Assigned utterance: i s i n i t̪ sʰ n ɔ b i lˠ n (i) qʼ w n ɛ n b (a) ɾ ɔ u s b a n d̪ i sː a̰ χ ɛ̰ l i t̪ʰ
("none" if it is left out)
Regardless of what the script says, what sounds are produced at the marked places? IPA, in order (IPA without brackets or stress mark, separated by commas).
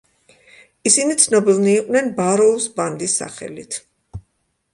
iː, a